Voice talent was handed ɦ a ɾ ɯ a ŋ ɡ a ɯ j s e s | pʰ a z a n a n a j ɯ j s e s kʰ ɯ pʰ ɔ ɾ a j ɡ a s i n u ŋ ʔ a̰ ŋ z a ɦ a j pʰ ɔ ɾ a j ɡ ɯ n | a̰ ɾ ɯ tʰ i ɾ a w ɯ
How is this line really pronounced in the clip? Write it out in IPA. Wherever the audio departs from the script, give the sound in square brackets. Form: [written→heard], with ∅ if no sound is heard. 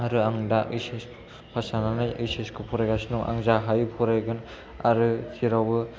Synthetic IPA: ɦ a ɾ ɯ a ŋ [ɡ→d] a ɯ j s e s | pʰ a [z→s] a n a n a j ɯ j s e s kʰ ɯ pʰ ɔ ɾ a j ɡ a s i n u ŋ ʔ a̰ ŋ z a ɦ a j pʰ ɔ ɾ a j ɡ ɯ n | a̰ ɾ ɯ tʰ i ɾ a w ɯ